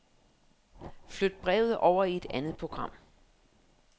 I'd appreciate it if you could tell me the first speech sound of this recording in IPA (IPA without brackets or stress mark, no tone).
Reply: f